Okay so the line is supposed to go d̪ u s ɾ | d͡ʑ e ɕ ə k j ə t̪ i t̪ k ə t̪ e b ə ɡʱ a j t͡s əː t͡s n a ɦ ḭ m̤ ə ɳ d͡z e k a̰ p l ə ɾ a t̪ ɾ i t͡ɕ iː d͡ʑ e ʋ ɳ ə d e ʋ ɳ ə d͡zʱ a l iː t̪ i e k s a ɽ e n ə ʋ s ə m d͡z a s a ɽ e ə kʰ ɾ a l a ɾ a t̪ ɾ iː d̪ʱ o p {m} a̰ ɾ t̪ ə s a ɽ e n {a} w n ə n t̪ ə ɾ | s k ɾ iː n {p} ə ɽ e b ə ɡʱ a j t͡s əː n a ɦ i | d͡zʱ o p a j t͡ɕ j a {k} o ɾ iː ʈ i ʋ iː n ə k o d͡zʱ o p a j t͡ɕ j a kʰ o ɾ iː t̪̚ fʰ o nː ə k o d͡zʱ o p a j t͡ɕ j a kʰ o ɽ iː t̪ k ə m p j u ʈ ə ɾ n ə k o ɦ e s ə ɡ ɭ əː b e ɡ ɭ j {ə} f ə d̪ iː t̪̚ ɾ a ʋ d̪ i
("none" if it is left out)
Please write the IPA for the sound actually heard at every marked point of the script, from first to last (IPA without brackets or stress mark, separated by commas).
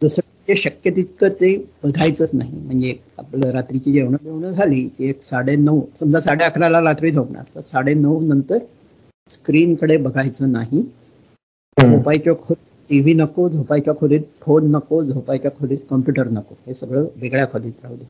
ɳ, ə, k, kʰ, a